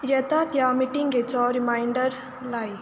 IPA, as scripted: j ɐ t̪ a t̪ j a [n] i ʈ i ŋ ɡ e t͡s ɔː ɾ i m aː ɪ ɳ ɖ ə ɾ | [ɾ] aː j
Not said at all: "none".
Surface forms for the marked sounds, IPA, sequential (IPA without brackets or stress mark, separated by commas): m, l